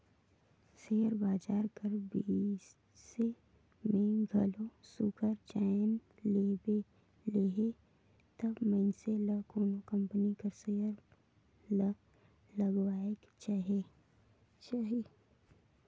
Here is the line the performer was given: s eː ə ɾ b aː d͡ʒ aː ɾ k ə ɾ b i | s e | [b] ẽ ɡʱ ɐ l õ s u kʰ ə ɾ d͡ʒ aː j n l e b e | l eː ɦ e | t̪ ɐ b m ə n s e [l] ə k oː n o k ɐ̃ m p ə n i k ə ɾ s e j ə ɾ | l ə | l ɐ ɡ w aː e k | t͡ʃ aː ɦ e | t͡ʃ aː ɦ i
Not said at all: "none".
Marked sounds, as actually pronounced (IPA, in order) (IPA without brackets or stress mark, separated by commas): m, l